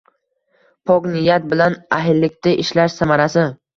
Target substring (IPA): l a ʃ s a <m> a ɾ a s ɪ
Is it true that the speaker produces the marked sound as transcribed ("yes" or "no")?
yes